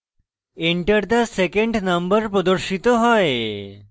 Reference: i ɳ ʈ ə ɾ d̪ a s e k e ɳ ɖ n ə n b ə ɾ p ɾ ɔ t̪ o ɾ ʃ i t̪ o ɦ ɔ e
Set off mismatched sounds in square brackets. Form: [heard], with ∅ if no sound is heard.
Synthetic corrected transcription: [e] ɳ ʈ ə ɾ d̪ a s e k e ɳ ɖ n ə [m] b ə ɾ p ɾ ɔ [d̪] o ɾ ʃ i t̪ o ɦ ɔ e